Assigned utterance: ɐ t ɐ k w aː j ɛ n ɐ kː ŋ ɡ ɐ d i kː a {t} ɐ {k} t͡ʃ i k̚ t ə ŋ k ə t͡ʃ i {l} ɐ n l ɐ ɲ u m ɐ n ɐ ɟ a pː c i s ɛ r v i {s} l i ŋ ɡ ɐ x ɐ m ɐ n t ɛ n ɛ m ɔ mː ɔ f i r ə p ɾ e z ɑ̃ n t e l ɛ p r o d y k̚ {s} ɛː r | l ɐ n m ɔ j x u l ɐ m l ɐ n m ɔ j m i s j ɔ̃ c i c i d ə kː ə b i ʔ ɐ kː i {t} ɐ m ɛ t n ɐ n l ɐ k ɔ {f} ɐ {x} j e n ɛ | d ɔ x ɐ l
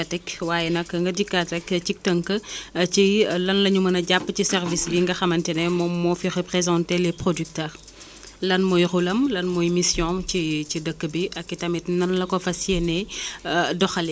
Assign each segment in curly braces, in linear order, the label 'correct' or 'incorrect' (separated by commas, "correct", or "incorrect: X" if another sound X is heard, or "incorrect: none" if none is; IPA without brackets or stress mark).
correct, correct, correct, correct, incorrect: t, correct, correct, incorrect: s